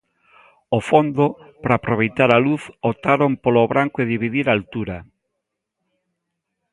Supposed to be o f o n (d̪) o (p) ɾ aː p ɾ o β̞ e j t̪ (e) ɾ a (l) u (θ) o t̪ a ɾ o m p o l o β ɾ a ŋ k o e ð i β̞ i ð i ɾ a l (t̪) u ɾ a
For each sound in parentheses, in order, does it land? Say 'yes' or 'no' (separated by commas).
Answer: yes, yes, no, yes, yes, yes